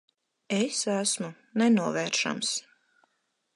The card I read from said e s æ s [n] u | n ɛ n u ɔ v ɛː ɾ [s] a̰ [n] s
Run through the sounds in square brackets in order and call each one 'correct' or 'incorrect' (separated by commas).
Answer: incorrect, incorrect, incorrect